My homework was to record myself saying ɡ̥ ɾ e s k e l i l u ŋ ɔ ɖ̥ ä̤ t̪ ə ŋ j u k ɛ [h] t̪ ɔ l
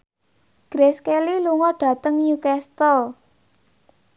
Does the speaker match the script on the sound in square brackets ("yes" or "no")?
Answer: no